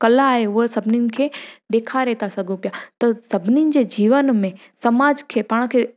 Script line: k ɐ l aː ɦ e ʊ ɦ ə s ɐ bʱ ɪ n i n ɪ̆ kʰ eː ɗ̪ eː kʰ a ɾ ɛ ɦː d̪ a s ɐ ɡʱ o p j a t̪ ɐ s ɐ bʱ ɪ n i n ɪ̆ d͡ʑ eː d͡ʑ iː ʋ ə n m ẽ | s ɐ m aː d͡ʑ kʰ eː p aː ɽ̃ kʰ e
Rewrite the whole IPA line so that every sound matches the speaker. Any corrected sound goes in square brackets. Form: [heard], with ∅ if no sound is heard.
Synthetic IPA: k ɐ l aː ɦ e ʊ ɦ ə s ɐ bʱ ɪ n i n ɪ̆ kʰ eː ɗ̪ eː kʰ a ɾ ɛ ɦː [t̪] a s ɐ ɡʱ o p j a t̪ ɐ s ɐ bʱ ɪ n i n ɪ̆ d͡ʑ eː d͡ʑ iː ʋ ə n m ẽ | s ɐ m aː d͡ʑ kʰ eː p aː ɽ̃ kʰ e